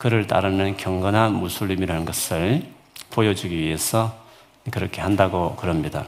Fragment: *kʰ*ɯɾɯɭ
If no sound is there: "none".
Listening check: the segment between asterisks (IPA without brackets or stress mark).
k